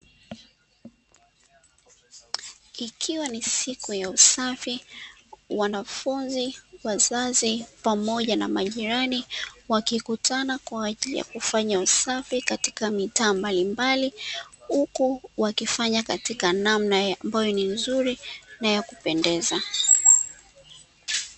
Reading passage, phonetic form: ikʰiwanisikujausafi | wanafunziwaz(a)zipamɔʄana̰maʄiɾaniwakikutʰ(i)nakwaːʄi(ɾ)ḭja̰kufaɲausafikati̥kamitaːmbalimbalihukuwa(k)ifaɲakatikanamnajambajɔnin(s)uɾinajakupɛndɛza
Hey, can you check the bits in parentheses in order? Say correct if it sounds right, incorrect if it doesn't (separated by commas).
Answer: correct, incorrect, incorrect, correct, incorrect